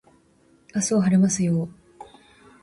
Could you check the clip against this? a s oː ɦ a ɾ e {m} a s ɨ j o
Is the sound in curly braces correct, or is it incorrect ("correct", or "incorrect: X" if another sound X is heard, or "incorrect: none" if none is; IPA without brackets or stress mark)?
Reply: correct